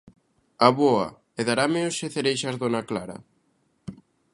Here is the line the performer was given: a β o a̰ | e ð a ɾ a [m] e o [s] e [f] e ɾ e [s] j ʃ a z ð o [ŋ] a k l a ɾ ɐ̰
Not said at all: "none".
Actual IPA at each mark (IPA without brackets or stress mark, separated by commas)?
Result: m, s, θ, none, n